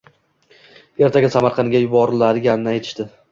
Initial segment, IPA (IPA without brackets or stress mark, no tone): e̞